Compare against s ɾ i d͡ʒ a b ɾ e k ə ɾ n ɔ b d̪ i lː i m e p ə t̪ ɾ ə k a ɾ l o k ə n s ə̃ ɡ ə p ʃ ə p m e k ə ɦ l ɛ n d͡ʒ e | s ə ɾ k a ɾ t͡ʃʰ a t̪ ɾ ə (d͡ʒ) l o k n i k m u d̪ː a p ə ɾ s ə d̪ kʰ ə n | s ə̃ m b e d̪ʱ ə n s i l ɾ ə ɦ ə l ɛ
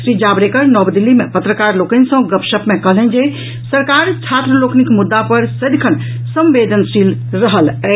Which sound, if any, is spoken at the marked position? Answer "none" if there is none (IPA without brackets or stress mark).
none